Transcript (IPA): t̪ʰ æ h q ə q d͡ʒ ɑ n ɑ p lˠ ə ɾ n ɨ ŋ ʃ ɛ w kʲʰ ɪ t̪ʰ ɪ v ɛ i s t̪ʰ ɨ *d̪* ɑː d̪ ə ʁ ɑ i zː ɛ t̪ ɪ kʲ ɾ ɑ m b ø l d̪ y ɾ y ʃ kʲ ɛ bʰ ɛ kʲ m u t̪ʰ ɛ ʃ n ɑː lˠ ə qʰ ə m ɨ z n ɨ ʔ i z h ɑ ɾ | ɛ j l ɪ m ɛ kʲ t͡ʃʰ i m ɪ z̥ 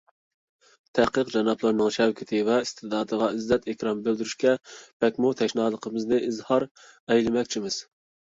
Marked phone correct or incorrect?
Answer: correct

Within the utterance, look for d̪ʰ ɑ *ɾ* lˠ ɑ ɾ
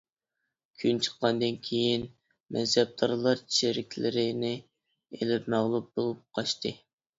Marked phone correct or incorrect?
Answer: correct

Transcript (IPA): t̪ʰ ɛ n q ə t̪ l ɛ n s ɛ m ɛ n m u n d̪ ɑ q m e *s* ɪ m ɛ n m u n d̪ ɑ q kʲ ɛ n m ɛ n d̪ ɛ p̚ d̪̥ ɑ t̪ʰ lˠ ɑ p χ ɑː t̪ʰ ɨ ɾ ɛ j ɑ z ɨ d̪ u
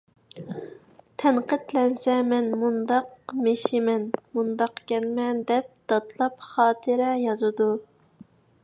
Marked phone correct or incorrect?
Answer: incorrect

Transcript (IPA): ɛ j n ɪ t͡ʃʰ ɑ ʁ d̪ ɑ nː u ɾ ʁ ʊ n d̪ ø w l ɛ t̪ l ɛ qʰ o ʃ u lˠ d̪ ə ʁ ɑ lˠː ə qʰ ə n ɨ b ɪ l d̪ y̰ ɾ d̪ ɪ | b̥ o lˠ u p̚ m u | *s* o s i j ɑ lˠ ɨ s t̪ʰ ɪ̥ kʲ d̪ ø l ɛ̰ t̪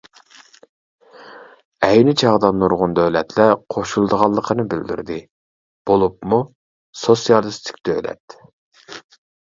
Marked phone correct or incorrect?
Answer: correct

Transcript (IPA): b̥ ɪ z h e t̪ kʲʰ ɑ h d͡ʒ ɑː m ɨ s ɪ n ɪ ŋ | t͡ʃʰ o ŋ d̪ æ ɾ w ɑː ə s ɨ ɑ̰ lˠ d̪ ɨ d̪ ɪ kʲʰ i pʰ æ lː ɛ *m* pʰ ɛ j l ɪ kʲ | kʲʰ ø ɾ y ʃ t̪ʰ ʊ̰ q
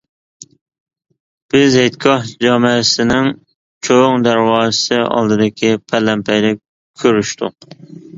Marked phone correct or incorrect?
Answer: correct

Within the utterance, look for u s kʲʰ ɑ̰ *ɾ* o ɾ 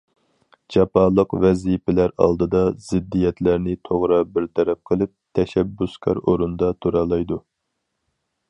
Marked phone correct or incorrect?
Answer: correct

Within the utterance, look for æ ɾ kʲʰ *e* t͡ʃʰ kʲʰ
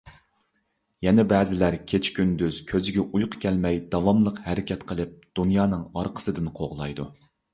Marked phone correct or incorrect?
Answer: correct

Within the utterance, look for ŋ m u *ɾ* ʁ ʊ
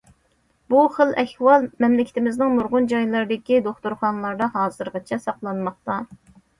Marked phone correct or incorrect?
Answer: correct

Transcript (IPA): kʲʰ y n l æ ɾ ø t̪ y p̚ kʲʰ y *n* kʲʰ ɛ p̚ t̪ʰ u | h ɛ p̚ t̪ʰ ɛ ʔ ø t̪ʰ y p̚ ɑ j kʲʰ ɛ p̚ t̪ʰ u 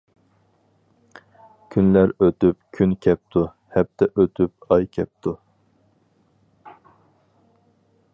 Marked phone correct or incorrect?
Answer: correct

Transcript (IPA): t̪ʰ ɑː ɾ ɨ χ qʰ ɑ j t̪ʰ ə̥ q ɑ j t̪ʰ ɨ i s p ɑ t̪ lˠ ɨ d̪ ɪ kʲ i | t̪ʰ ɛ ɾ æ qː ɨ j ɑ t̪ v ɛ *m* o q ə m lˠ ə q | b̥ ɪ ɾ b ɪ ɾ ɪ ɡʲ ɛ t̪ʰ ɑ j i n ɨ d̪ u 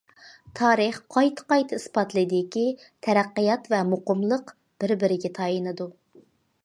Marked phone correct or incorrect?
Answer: correct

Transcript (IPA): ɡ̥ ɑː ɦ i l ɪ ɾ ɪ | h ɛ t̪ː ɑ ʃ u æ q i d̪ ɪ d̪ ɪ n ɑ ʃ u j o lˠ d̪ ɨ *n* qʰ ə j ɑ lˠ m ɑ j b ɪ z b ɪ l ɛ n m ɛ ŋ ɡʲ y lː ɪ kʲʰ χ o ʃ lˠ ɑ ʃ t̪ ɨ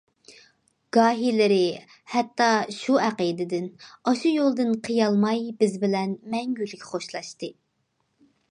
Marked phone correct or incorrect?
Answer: correct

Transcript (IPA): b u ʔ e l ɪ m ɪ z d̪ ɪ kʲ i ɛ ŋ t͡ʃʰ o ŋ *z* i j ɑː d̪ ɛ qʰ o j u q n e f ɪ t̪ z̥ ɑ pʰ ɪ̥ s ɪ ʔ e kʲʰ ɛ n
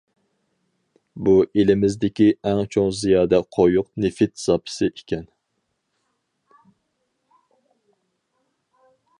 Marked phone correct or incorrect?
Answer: correct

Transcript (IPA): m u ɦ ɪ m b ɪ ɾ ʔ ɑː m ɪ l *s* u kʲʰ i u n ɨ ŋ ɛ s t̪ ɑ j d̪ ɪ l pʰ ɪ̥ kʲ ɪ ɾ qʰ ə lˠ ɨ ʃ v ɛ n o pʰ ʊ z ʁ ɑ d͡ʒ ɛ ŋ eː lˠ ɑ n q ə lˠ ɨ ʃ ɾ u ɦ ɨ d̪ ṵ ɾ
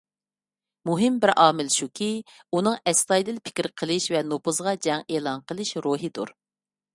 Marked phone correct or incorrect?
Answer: incorrect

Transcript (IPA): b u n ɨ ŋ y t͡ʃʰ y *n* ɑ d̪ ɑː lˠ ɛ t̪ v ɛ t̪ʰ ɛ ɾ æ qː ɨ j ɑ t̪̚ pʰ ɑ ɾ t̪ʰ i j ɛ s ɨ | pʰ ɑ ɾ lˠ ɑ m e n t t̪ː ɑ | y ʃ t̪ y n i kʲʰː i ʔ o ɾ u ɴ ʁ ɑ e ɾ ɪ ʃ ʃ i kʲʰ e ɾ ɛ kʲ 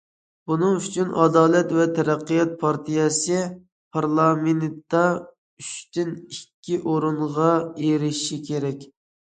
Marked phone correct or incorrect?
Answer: correct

